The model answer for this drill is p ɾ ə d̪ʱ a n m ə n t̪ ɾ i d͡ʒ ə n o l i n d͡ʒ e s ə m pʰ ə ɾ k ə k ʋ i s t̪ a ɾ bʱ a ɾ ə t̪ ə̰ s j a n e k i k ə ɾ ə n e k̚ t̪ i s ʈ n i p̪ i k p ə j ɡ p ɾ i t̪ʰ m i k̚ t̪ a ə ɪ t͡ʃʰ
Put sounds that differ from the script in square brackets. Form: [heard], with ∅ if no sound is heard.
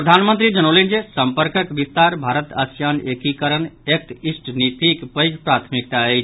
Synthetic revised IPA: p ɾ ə d̪ʱ a n m ə n t̪ ɾ i d͡ʒ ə n o l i n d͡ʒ e s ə m [p] ə ɾ k ə k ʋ i s t̪ a ɾ bʱ a ɾ ə t̪ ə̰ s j a n e k i k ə ɾ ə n e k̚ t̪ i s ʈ n i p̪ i k p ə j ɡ p ɾ [a] t̪ʰ m i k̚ t̪ a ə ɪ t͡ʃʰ

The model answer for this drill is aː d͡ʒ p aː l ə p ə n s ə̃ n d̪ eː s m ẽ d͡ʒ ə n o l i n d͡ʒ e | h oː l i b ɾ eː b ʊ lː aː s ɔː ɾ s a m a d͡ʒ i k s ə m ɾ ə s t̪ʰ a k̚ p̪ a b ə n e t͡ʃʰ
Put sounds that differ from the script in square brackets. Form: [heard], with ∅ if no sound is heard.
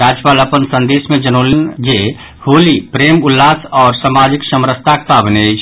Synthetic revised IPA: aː d͡ʒ p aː l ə p ə n s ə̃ n d̪ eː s m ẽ d͡ʒ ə n o l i n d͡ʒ e | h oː l i [p] ɾ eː [m] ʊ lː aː s ɔː ɾ s a m a d͡ʒ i k s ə m ɾ ə s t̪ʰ a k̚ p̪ a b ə n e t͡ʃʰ

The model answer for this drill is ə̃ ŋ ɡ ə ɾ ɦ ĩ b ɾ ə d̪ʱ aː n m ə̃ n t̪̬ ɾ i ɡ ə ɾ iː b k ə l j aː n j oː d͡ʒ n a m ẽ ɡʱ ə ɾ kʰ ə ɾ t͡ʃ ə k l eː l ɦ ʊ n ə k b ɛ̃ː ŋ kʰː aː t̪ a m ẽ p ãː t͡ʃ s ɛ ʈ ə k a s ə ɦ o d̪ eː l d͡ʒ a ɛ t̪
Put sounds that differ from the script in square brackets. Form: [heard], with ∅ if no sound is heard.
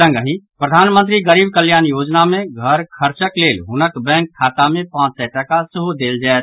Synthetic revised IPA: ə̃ ŋ ɡ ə [∅] ɦ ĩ [p] ɾ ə d̪ʱ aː n m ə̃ n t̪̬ ɾ i ɡ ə ɾ iː b k ə l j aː n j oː d͡ʒ n a m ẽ ɡʱ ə ɾ kʰ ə ɾ t͡ʃ ə k l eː l ɦ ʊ n ə k b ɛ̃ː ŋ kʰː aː t̪ a m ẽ p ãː t͡ʃ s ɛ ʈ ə k a s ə ɦ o d̪ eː l d͡ʒ a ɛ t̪

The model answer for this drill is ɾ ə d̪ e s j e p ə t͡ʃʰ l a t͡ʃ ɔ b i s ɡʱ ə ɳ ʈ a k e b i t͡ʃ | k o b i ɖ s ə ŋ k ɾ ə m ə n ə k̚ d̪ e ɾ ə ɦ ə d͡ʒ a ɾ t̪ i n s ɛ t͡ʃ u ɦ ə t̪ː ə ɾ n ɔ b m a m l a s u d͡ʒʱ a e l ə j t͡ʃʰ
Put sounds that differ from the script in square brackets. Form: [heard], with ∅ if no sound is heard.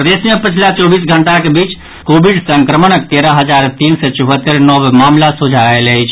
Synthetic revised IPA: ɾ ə d̪ e s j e p ə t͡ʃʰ l a t͡ʃ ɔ b i s ɡʱ ə ɳ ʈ a k e b i t͡ʃ | k o b i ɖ s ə ŋ k ɾ ə m ə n ə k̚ [t̪] e ɾ ə ɦ ə d͡ʒ a ɾ t̪ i n s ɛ t͡ʃ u ɦ ə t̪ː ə ɾ n ɔ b m a m l a s u d͡ʒʱ a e l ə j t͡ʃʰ

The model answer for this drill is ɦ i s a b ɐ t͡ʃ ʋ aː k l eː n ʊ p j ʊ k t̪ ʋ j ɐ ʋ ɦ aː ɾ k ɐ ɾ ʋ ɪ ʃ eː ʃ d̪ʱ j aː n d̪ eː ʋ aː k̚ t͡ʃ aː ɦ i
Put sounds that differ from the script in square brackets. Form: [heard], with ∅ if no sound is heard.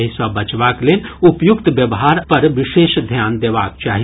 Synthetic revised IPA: ɦ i s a b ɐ t͡ʃ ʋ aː k l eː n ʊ p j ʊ k t̪ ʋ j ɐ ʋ ɦ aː ɾ [p] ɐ ɾ ʋ ɪ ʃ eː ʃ d̪ʱ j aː n d̪ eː ʋ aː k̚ t͡ʃ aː ɦ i

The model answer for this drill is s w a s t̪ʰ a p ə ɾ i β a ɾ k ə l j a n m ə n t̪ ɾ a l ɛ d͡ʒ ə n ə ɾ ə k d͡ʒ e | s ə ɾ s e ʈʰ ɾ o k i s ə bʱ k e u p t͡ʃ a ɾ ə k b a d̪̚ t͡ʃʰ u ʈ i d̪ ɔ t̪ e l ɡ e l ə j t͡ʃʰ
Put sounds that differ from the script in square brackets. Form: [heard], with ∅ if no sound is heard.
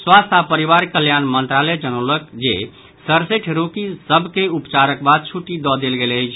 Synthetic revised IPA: s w a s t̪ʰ a p ə ɾ i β a ɾ k ə l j a n m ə n t̪ ɾ a l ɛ d͡ʒ ə n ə [l] ə k d͡ʒ e | s ə ɾ s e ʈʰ ɾ o k i s ə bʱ k e u p t͡ʃ a ɾ ə k b a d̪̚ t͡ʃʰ u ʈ i d̪ ɔ [d̪] e l ɡ e l ə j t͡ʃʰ

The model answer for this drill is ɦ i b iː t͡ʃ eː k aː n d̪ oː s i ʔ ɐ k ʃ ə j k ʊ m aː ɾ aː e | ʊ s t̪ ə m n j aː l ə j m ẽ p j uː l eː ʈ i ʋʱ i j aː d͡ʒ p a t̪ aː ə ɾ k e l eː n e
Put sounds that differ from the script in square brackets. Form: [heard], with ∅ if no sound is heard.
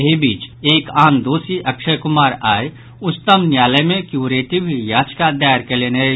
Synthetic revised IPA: ɦ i b iː t͡ʃ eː k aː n d̪ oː s i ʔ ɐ k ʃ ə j k ʊ m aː ɾ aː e | ʊ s t̪ ə m n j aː l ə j m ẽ [k] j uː [ɾ] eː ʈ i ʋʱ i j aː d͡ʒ [k] a [d̪] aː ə ɾ k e l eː n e

